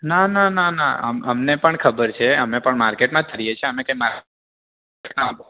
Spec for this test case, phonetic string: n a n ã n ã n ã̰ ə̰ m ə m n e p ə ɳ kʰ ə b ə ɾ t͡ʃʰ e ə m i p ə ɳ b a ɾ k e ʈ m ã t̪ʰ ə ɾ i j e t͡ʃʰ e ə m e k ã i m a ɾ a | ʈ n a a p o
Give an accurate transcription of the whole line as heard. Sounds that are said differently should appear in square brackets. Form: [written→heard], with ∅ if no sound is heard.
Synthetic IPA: n a n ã n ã n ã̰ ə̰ m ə m n e p ə ɳ kʰ ə b ə ɾ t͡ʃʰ e ə m [i→e] p ə ɳ [b→m] a ɾ k e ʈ m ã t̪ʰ ə ɾ i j e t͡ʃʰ e ə m e k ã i m a ɾ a | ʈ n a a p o